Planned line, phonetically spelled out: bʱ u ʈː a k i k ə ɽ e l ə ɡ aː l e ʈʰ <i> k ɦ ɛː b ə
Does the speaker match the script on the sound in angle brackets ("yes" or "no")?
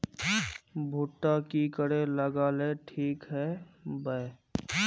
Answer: no